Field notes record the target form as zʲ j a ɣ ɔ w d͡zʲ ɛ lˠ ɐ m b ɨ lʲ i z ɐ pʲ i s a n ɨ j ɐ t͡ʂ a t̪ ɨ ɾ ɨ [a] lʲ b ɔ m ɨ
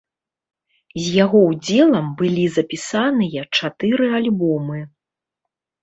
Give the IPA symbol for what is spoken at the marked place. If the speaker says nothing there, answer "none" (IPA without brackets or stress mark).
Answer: a